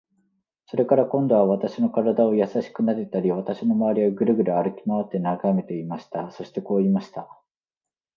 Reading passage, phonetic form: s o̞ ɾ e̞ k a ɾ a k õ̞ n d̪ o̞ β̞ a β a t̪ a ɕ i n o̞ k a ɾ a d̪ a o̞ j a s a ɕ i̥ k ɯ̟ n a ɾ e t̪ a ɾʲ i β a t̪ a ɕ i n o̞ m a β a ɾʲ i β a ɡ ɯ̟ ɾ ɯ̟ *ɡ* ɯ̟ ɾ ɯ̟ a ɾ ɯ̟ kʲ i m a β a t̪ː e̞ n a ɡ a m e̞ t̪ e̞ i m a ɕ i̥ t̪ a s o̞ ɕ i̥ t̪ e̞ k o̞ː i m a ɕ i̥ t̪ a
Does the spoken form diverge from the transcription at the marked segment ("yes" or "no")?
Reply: no